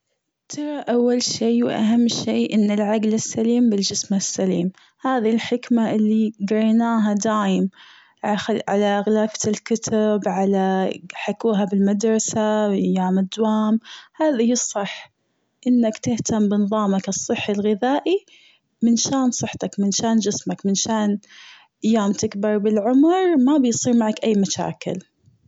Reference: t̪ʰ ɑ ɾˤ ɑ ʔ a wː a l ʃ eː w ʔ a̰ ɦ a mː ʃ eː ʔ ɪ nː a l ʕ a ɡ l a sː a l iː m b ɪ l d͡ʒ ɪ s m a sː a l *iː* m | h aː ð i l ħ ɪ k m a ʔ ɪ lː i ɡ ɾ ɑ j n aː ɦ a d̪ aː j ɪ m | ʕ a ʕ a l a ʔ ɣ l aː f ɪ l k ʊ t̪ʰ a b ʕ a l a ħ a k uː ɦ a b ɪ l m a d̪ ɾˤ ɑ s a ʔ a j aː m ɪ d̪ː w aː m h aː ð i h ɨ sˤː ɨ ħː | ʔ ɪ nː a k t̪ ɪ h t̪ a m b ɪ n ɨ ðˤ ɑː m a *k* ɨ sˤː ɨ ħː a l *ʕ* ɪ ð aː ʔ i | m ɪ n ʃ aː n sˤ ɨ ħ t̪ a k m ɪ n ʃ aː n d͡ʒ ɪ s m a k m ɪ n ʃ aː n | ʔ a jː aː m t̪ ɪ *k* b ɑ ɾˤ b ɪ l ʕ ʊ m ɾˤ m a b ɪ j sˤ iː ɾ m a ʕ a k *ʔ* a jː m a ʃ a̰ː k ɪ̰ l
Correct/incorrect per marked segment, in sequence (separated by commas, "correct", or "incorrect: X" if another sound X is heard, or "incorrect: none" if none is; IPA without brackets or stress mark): correct, correct, incorrect: ɣ, correct, correct